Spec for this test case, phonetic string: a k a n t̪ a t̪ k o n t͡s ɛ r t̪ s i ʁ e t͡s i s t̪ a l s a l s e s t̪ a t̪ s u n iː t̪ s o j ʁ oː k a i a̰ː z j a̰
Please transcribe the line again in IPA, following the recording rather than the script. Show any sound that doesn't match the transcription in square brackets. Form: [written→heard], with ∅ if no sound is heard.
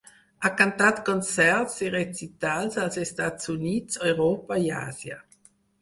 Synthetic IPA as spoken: a k a n t̪ a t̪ k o n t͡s ɛ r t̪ s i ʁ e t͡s i [s→∅] t̪ a l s a l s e s t̪ a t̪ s u n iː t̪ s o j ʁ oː [k→p] a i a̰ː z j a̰

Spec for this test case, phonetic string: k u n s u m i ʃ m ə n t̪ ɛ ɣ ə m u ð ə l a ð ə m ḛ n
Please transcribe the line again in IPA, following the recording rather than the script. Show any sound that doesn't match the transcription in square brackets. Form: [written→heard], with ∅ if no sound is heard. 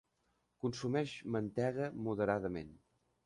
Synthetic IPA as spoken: k u n s u m [i→ɛ] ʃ m ə n t̪ ɛ ɣ ə m u ð ə [l→ɾ] a ð ə m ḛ n

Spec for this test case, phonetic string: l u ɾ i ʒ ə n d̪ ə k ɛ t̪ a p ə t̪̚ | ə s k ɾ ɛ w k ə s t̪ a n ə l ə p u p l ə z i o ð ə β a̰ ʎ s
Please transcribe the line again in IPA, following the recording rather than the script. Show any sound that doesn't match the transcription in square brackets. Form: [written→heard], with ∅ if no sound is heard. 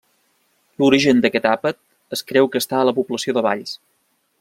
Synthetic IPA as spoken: l u ɾ i ʒ ə n d̪ ə k ɛ t̪ a p ə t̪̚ | ə s k ɾ ɛ w k ə s t̪ a [n→∅] ə l ə p u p l ə [z→s] i o ð ə β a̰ ʎ s

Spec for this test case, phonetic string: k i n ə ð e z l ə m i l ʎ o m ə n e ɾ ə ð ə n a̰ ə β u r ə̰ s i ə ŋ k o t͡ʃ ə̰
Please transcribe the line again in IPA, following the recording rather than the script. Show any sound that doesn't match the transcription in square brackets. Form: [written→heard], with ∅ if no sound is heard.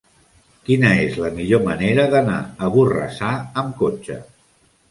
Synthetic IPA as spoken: k i n ə [ð→∅] e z l ə m i [l→∅] ʎ o m ə n e ɾ ə ð ə n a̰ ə β u r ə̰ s [i→a] ə [ŋ→m] k o t͡ʃ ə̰

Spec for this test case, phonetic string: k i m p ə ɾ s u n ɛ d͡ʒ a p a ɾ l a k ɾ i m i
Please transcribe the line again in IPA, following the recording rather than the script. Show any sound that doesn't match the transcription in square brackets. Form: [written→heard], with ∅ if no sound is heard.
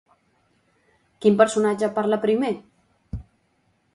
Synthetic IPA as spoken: k i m p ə ɾ s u n [ɛ→a] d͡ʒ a p a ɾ l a [k→p] ɾ i m [i→e]

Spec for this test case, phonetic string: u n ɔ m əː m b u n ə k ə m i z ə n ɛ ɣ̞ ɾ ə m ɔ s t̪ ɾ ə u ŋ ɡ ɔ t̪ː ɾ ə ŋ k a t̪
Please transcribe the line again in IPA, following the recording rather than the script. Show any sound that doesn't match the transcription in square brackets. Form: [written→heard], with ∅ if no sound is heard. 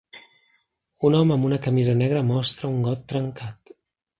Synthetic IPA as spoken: u n ɔ m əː m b u n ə k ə m i z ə n ɛ ɣ̞ ɾ ə m ɔ s t̪ ɾ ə u ŋ ɡ ɔ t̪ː ɾ ə ŋ k a t̪

